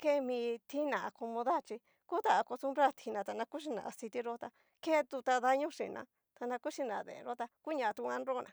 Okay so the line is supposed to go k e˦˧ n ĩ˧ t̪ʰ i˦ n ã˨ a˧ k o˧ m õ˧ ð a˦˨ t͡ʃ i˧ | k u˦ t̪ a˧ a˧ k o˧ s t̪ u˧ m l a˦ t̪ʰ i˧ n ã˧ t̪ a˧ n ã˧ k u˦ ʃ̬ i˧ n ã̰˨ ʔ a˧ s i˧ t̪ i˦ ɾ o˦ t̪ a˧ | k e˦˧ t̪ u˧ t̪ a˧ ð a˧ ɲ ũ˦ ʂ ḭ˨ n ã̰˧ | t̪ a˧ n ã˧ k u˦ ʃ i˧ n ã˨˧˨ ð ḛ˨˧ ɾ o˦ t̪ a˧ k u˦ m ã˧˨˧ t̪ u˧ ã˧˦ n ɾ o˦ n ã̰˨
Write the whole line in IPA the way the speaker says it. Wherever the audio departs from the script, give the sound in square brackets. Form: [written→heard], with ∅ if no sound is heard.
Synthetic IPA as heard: k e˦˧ [n→m] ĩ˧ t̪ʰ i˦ n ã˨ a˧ k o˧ m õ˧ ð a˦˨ t͡ʃ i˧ | k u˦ t̪ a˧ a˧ k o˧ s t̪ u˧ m [l→ɾ] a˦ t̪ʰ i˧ n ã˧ t̪ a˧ n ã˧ k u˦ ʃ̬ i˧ n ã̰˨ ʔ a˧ s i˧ t̪ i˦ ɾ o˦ t̪ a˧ | k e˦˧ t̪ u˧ t̪ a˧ ð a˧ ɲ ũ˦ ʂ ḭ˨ n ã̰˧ | t̪ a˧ n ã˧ k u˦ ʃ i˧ n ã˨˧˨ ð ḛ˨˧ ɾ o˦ t̪ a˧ k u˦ [m→ɲ] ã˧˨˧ t̪ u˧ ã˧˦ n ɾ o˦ n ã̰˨

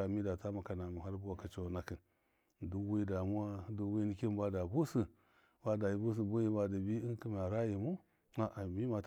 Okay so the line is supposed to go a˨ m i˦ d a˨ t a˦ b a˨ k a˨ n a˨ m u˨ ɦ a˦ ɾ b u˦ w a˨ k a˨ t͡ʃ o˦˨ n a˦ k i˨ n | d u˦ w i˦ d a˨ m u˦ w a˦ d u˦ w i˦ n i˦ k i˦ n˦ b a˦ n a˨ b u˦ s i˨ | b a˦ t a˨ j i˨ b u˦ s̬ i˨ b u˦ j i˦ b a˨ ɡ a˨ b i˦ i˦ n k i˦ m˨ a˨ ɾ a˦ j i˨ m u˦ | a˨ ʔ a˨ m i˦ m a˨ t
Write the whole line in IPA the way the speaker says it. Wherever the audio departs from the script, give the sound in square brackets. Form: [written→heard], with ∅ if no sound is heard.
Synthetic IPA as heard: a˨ m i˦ d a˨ t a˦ [b→m] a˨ k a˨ n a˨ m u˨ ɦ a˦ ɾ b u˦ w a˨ k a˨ t͡ʃ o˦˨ n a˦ k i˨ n | d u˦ w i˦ d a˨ m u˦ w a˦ d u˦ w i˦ n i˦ k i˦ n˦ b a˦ [n→d] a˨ b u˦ s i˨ | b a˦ [t→d] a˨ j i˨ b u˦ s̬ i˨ b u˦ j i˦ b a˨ [ɡ→d] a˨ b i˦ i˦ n k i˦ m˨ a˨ ɾ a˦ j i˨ m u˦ | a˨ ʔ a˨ m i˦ m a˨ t

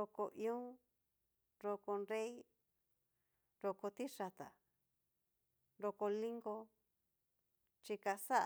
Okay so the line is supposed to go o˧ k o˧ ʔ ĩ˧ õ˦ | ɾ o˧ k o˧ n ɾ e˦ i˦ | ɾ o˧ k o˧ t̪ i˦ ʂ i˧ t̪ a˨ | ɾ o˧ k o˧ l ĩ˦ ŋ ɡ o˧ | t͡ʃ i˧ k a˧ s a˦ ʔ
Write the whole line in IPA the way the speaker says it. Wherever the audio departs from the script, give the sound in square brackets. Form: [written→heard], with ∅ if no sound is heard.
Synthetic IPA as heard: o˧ k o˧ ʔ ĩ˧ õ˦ | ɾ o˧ k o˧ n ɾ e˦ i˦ | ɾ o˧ k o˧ t̪ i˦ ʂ [i˧→a˧] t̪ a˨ | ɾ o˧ k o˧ l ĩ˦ ŋ ɡ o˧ | t͡ʃ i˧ k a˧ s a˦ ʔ

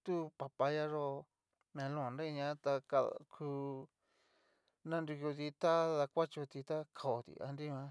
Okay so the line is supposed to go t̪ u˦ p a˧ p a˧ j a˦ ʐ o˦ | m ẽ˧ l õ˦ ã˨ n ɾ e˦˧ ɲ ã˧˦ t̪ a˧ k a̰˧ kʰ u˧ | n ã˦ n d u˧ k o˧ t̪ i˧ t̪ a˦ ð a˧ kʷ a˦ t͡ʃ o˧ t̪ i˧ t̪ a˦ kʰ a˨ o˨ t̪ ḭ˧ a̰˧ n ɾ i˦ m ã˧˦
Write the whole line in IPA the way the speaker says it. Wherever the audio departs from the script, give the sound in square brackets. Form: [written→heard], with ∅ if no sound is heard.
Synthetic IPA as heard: t̪ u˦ p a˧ p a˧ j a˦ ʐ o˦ | m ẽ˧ l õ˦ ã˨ n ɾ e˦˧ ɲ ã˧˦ t̪ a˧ k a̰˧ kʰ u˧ | n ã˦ n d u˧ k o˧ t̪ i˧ t̪ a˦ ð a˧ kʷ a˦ t͡ʃ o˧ t̪ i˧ t̪ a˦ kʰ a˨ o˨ t̪ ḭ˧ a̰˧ n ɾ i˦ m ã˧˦

